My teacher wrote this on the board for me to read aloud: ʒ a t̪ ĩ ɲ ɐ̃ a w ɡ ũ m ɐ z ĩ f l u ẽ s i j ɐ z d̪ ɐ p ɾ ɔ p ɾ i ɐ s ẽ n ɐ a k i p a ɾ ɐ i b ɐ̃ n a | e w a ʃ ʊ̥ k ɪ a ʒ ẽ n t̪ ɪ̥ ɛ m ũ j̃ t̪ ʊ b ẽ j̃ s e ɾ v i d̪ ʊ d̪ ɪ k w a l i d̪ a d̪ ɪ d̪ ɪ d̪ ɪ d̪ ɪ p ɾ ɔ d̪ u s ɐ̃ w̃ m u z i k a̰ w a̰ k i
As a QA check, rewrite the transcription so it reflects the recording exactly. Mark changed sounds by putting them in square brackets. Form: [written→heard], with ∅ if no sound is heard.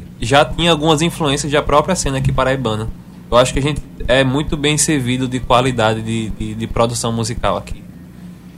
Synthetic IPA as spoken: ʒ a t̪ ĩ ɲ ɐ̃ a w ɡ ũ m ɐ z ĩ f l u ẽ s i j ɐ z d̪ ɐ p ɾ ɔ p ɾ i ɐ s ẽ n ɐ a k i p a ɾ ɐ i b ɐ̃ n [a→ɐ] | e w a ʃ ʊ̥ k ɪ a ʒ ẽ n t̪ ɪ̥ ɛ m ũ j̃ t̪ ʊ b ẽ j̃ s e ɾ v i d̪ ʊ d̪ ɪ k w a l i d̪ a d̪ ɪ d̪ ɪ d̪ ɪ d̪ ɪ p ɾ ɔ d̪ u s ɐ̃ w̃ m u z i k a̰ w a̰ k i